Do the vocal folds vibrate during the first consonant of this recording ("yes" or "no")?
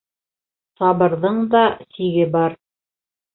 no